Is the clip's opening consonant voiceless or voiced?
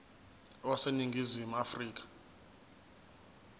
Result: voiced